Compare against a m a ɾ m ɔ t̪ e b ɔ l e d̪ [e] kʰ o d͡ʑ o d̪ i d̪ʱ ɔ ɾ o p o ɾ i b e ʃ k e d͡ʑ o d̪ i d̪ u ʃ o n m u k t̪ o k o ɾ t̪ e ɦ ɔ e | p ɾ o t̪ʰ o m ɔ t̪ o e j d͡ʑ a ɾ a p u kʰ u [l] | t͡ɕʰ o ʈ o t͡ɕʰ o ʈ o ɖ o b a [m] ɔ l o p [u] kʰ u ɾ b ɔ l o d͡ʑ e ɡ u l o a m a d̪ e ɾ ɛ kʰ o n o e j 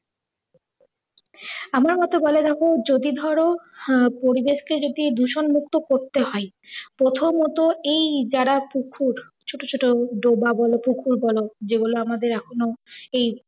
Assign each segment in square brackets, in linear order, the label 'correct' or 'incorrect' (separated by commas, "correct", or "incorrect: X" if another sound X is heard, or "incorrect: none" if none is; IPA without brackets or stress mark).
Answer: incorrect: ɛ, incorrect: ɾ, incorrect: b, correct